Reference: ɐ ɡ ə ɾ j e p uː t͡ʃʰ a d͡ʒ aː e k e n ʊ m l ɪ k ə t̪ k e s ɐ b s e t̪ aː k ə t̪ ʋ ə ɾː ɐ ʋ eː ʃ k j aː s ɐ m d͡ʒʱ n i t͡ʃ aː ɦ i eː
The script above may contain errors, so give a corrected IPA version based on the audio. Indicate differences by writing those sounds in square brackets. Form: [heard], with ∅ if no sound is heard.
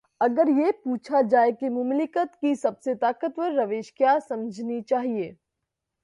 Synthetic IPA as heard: ɐ ɡ ə ɾ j e p uː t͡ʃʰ a d͡ʒ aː e k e [m] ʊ m l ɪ k ə t̪ k [i] s ɐ b s e t̪ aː k ə t̪ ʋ ə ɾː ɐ ʋ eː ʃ k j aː s ɐ m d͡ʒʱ n i t͡ʃ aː ɦ i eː